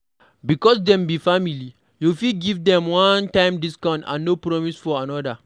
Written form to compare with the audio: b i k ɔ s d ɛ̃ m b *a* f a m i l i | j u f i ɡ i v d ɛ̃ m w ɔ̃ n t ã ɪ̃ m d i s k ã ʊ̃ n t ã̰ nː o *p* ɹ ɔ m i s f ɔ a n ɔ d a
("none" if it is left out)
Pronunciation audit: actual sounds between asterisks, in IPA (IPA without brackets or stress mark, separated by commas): i, p